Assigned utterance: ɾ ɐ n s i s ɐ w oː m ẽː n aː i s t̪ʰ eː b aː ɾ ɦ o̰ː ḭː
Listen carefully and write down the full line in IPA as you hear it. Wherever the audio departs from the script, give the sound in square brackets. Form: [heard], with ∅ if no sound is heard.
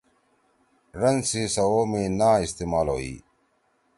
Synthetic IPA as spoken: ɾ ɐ n s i s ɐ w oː m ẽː n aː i s [t̪] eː [m] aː [l] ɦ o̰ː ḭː